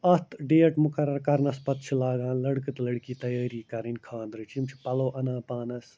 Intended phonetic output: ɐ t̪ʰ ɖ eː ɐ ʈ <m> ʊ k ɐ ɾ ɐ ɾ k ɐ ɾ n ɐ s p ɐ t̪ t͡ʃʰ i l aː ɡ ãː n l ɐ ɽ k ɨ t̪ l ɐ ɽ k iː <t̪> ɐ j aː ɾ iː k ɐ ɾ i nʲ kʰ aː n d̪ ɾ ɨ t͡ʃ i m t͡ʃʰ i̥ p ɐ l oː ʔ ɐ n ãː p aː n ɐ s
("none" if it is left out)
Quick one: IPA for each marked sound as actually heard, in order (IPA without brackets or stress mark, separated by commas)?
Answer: m, t̪